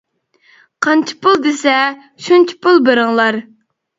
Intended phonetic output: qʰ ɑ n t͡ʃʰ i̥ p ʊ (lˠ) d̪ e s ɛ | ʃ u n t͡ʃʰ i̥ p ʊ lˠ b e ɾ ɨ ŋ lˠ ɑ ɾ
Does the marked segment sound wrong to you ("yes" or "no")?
no